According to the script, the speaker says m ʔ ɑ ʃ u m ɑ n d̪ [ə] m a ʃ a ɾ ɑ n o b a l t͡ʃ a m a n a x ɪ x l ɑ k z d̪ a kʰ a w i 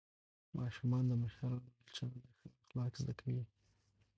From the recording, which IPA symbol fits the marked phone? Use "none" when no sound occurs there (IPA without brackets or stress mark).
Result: ə